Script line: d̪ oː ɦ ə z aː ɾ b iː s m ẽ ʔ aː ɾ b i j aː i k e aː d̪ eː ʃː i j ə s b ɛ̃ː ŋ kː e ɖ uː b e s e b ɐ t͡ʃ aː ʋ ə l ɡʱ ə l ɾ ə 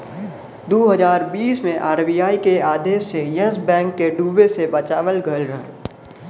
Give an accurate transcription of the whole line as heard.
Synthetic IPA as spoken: d̪ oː ɦ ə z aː ɾ b iː s m ẽ ʔ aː ɾ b i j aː i k e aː d̪ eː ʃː e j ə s b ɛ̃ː ŋ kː e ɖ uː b e s e b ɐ t͡ʃ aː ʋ ə l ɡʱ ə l ɾ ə